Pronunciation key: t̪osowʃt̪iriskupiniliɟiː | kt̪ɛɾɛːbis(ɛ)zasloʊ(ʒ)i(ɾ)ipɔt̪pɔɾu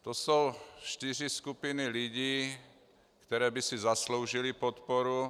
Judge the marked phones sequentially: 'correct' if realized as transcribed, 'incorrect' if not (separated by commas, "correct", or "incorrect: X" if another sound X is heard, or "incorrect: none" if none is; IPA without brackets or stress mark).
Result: incorrect: i, correct, incorrect: l